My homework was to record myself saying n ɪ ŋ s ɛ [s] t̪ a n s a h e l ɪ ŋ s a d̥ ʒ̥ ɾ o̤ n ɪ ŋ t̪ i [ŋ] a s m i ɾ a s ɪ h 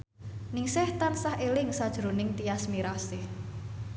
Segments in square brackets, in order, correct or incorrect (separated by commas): incorrect, incorrect